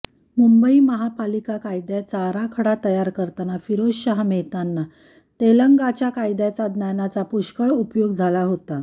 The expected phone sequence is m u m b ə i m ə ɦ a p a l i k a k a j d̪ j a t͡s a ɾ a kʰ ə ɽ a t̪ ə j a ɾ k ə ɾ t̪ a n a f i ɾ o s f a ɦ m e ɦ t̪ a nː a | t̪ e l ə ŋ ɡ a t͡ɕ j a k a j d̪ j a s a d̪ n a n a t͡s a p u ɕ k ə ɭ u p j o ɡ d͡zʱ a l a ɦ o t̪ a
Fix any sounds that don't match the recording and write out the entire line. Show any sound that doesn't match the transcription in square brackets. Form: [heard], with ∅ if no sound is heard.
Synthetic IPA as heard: m u m b ə i m ə ɦ a p a l i k a k a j d̪ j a t͡s a ɾ a kʰ ə ɽ a t̪ ə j a ɾ k ə ɾ t̪ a n a f i ɾ o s [ɕ] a ɦ m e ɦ t̪ a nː a | t̪ e l ə ŋ ɡ a t͡ɕ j a k a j d̪ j a [t͡s] a d̪ n a n a t͡s a p u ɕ k ə ɭ u p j o ɡ d͡zʱ a l a ɦ o t̪ a

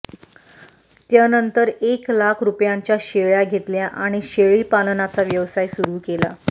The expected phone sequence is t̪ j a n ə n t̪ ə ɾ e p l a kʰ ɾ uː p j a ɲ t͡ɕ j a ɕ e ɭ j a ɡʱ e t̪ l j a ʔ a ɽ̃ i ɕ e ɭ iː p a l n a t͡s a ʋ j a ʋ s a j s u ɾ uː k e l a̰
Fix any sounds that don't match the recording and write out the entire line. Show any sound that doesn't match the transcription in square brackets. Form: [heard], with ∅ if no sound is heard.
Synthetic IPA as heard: t̪ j a n ə n t̪ ə ɾ e [k] l a kʰ ɾ [u] p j a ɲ t͡ɕ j a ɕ e ɭ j a ɡʱ e t̪ l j a ʔ a ɽ̃ i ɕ e ɭ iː p a l n a t͡s a ʋ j [ə] ʋ s a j s u ɾ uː k e l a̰

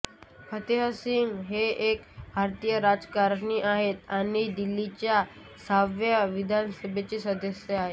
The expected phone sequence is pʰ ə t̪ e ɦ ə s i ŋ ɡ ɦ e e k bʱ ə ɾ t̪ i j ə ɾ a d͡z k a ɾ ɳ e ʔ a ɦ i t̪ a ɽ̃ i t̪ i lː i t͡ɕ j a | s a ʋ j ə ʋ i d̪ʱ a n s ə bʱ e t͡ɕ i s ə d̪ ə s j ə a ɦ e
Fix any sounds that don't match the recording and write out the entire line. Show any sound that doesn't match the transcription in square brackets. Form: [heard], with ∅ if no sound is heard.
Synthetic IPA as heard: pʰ ə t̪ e ɦ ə s i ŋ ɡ ɦ e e k bʱ [a] ɾ t̪ i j ə ɾ a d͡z k a ɾ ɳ [i] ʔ a ɦ [e] t̪ a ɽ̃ i [d̪] i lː i t͡ɕ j a | s a ʋ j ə ʋ i d̪ʱ a n s ə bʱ e t͡ɕ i s ə d̪ ə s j ə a ɦ e

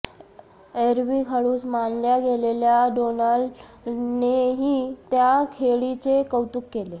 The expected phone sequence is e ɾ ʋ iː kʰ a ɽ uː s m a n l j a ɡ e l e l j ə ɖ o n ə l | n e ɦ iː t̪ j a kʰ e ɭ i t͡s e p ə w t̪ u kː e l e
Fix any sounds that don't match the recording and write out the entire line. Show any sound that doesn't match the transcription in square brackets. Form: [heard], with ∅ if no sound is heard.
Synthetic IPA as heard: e ɾ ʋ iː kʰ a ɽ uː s m a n l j a ɡ e l e l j [a] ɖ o n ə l | n e ɦ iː t̪ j a kʰ e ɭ i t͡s e [k] ə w t̪ u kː e l e

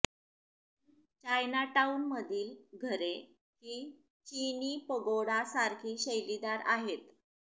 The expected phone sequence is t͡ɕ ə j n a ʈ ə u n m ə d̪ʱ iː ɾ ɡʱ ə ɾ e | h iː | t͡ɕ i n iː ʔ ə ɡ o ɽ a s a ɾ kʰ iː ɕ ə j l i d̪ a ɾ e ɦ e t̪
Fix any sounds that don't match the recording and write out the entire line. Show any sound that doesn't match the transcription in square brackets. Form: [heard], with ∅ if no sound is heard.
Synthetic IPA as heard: t͡ɕ [a] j n a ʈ [a] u n m ə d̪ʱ iː [l] ɡʱ ə ɾ e | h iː | t͡ɕ i n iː [p] ə ɡ o ɽ a s a ɾ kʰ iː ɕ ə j l i d̪ a ɾ [a] ɦ e t̪

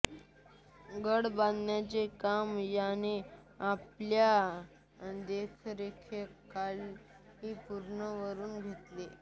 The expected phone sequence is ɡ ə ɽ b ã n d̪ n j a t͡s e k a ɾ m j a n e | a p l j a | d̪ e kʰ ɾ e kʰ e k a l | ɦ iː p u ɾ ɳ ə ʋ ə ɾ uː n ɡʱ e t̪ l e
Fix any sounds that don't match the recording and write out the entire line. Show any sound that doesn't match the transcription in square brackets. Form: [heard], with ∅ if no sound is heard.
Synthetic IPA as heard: ɡ ə ɽ b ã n d̪ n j a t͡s e k a [∅] m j a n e | a p l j a | d̪ e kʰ ɾ e kʰ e k a l | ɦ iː p u ɾ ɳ ə ʋ ə ɾ uː n ɡʱ e t̪ l e

